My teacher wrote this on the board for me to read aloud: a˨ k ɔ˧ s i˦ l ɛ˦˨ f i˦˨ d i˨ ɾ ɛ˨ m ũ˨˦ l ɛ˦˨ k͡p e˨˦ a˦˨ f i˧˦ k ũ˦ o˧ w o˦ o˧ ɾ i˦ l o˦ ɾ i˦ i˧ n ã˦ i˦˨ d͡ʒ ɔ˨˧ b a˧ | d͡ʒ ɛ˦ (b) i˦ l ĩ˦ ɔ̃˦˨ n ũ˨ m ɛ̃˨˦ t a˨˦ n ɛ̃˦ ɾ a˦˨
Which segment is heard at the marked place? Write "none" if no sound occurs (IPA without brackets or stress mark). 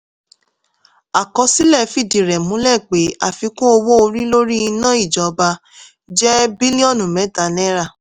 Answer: b